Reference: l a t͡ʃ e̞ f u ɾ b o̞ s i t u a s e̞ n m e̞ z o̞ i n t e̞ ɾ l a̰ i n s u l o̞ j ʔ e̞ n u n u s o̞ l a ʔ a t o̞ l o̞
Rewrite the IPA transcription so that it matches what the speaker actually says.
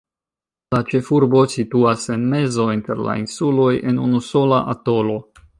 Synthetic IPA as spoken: l a t͡ʃ e̞ f u ɾ b o̞ s i t u a s e̞ n m e̞ z o̞ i n t e̞ ɾ l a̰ i n s u l o̞ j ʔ e̞ n u n u s o̞ l a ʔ a t o̞ l o̞